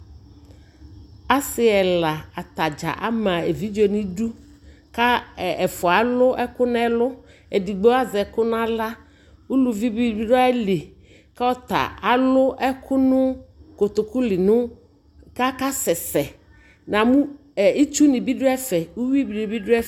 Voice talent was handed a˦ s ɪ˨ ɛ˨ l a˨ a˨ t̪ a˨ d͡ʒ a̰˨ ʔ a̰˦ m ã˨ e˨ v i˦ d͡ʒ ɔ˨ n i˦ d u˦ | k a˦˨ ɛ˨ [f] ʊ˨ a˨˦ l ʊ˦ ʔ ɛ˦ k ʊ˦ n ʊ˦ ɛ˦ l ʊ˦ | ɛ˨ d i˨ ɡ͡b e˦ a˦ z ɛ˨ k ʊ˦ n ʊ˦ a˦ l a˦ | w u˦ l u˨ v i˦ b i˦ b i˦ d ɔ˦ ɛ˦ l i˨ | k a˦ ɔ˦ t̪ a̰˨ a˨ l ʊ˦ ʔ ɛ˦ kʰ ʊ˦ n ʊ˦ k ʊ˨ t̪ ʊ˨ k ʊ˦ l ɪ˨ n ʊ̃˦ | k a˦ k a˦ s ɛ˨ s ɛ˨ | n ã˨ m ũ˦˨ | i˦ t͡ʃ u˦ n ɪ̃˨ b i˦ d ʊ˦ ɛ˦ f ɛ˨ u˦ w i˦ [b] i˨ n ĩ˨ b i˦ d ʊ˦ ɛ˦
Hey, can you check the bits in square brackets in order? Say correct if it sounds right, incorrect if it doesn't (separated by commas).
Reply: correct, correct